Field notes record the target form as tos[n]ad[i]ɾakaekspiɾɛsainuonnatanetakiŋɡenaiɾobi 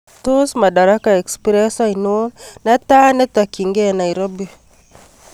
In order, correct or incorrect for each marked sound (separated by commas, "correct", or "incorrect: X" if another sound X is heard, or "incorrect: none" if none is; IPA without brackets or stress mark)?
incorrect: m, incorrect: a